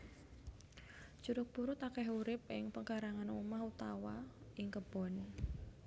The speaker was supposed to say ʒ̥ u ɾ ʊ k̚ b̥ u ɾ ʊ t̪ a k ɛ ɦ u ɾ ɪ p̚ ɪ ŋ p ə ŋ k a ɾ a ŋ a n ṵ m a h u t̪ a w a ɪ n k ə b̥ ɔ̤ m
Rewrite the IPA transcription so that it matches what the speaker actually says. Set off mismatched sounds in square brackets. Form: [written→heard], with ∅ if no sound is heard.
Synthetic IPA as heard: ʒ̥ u ɾ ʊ k̚ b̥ u ɾ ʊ t̪ a k ɛ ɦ u ɾ ɪ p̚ ɪ ŋ p ə ŋ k a ɾ a ŋ a n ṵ m a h u t̪ a w a ɪ [n→ŋ] k ə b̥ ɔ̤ [m→n]